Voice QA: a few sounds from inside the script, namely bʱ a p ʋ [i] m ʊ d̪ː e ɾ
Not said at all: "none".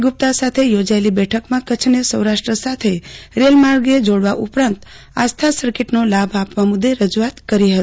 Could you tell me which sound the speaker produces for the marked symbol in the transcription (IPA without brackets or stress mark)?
a